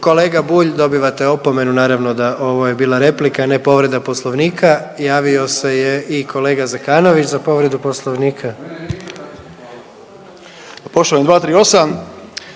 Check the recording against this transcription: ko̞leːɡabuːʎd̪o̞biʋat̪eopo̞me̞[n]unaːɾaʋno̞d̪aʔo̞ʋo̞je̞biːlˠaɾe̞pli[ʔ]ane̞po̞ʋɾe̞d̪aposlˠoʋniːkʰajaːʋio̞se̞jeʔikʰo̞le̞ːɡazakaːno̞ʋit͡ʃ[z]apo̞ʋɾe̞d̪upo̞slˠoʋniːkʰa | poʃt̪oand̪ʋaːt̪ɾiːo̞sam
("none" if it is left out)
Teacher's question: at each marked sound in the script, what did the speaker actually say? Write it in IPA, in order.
n, k, z

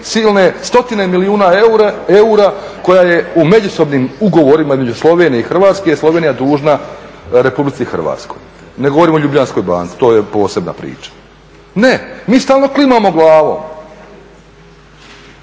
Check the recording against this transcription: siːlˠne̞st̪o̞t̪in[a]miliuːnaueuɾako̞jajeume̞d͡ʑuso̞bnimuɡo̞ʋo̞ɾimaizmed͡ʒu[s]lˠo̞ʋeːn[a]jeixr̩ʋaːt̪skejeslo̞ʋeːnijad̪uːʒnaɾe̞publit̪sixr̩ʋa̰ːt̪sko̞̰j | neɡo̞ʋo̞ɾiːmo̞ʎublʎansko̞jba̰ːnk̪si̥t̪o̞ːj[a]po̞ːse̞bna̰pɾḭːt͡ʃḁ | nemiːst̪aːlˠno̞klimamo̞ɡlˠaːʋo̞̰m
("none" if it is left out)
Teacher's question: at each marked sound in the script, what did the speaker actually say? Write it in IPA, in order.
e, s, i, e

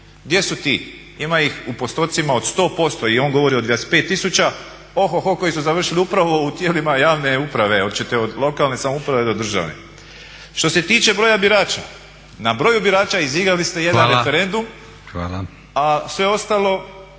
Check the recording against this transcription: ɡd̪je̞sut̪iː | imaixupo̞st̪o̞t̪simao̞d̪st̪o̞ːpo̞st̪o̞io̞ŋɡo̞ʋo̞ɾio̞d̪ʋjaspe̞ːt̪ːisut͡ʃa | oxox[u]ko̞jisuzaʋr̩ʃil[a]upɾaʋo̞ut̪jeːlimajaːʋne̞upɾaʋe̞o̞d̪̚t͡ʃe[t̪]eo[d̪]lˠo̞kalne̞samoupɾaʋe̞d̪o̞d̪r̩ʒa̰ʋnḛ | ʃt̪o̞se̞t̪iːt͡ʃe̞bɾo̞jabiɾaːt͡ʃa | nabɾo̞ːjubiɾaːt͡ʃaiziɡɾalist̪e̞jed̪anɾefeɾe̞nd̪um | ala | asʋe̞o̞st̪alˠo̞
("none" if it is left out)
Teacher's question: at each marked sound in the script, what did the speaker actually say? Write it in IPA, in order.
o, i, t̪, d̪

